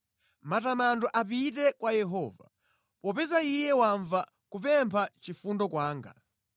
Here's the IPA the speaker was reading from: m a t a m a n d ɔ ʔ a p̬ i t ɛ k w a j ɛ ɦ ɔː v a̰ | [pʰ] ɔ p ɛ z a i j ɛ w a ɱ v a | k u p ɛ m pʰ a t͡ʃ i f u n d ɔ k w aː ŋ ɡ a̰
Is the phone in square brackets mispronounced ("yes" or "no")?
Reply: yes